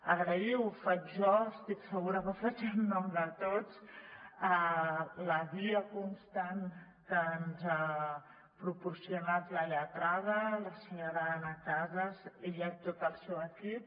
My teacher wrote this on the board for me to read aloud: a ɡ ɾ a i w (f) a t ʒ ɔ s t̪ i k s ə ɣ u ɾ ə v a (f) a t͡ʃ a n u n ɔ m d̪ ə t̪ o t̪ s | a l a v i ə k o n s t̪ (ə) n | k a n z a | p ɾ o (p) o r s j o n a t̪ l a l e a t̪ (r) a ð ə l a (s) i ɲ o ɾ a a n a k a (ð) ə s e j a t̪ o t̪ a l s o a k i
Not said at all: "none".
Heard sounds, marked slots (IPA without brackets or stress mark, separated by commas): f, f, a, p, ɾ, s, z